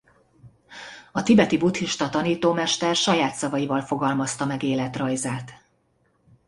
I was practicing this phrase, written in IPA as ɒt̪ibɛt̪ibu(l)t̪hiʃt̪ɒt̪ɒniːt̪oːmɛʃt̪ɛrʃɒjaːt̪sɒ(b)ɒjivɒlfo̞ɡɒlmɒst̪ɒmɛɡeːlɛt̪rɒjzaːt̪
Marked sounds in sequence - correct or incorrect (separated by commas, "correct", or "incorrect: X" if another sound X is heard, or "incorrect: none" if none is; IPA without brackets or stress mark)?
incorrect: none, incorrect: v